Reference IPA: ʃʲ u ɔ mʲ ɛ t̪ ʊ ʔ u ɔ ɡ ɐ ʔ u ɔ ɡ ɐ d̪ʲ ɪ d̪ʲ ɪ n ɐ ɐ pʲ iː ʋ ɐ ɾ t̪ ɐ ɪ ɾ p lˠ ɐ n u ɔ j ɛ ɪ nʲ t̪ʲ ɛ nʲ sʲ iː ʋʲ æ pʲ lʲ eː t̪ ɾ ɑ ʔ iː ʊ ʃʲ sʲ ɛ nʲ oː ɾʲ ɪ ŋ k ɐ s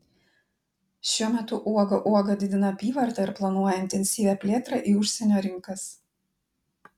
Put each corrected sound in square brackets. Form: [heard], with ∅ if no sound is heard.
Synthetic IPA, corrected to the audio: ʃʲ u ɔ mʲ ɛ t̪ ʊ ʔ u ɔ ɡ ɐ ʔ u ɔ ɡ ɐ d̪ʲ ɪ d̪ʲ ɪ n ɐ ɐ pʲ iː ʋ ɐ ɾ t̪ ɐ ɪ ɾ p lˠ ɐ n u ɔ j ɛ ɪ nʲ t̪ʲ ɛ nʲ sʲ iː ʋʲ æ pʲ lʲ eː t̪ ɾ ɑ ʔ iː ʊ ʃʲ sʲ ɛ nʲ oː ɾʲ ɪ ŋ k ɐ s